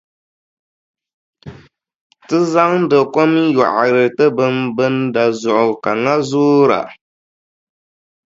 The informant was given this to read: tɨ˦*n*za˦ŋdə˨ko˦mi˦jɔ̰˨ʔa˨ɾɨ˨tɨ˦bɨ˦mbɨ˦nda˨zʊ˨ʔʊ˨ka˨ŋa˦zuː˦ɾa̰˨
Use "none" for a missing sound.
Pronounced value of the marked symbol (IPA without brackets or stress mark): none